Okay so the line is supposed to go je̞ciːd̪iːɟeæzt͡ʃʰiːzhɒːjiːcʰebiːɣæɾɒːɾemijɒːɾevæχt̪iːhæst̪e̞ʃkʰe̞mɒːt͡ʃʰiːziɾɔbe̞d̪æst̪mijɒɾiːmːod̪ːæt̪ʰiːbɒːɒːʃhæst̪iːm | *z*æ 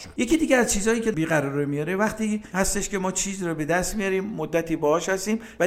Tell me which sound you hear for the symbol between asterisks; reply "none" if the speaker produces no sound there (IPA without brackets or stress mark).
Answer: v